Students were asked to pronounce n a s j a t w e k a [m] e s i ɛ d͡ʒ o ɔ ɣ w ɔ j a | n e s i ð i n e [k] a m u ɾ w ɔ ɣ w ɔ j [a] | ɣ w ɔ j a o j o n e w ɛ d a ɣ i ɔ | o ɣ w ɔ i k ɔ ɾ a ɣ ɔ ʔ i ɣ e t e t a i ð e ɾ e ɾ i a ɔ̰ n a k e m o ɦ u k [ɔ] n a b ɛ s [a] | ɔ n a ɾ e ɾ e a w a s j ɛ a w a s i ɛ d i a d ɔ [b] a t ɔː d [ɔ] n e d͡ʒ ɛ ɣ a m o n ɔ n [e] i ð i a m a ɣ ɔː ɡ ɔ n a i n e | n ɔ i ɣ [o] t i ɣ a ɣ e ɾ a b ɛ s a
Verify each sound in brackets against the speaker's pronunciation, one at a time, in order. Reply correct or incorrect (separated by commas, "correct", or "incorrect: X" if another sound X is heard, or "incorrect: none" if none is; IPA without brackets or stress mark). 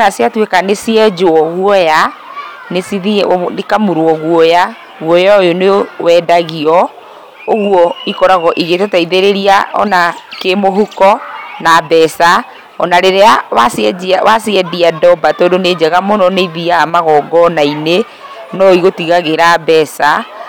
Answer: incorrect: n, correct, correct, correct, correct, correct, incorrect: o, correct, correct